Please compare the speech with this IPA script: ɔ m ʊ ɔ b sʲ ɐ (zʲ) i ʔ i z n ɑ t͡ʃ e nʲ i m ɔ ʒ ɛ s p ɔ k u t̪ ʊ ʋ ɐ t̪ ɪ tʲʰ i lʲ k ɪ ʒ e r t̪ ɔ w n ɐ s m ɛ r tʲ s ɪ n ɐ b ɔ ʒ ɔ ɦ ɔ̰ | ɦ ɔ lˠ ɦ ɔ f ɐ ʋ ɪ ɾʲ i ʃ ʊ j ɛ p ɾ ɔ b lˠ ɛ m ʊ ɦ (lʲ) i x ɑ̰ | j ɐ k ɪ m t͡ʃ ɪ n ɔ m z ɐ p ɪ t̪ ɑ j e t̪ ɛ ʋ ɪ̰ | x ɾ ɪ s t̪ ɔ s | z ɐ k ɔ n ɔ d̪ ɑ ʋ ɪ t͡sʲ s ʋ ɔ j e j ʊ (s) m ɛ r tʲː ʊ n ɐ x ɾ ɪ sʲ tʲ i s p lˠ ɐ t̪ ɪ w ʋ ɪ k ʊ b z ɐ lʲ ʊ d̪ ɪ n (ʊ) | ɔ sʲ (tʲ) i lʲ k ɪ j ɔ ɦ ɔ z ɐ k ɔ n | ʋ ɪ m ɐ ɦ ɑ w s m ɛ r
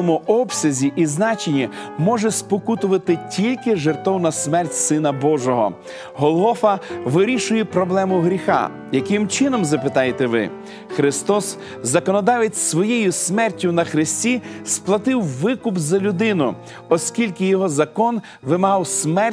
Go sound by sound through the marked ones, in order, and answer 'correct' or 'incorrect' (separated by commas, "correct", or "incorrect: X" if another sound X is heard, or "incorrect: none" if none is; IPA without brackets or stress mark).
correct, incorrect: ɾʲ, correct, correct, incorrect: kʲ